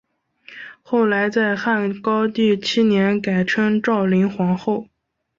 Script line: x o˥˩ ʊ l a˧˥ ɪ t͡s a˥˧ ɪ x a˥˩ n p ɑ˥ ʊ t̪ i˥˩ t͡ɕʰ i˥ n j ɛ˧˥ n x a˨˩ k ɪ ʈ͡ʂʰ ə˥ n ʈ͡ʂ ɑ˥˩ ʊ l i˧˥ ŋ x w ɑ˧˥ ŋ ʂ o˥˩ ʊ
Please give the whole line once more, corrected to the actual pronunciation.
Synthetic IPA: x o˥˩ ʊ l a˧˥ ɪ t͡s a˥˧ ɪ x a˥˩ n k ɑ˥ ʊ t̪ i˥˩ t͡ɕʰ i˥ n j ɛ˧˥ n k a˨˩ ɪ ʈ͡ʂʰ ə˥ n ʈ͡ʂ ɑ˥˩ ʊ l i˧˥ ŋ x w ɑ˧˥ ŋ x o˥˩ ʊ